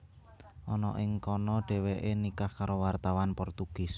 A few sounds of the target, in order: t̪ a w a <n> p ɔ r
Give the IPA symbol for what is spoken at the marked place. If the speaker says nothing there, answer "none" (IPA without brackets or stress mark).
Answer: n